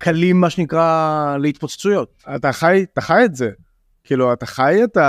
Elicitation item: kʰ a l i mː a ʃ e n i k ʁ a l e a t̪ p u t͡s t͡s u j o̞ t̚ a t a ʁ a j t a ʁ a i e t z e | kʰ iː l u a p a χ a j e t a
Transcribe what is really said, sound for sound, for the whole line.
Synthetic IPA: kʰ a l i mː a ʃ e n i k ʁ a l e i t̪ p o t͡s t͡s u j o̞ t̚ a t a χ a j t a χ a j e t z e | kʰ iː l u a t a χ a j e t a